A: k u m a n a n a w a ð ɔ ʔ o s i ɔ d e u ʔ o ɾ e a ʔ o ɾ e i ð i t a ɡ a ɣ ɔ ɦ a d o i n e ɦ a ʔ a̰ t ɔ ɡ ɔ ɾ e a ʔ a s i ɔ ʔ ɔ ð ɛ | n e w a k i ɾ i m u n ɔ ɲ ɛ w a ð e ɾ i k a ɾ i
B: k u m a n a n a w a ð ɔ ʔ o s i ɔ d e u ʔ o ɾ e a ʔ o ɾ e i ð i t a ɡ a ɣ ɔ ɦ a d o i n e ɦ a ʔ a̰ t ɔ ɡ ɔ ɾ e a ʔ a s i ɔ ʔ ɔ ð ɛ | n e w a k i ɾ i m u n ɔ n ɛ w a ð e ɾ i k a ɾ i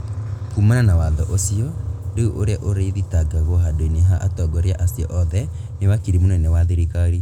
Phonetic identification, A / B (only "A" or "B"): B